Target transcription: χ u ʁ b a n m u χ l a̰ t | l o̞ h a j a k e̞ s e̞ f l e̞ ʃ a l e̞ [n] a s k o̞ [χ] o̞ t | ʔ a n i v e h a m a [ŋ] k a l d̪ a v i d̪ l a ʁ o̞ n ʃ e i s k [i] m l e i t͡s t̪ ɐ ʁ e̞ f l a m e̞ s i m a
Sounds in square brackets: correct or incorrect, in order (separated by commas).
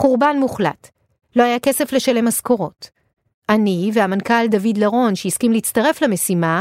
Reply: incorrect, incorrect, incorrect, correct